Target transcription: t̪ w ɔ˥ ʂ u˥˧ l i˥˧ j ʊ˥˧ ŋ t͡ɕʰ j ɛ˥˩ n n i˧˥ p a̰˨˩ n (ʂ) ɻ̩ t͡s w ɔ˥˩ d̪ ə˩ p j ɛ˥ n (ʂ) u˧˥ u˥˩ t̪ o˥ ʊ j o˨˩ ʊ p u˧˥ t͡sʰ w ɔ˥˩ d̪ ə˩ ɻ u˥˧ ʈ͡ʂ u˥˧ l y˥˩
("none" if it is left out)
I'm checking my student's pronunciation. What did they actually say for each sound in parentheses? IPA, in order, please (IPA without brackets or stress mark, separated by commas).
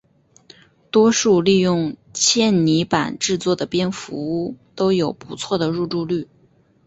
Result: ʈ͡ʂ, f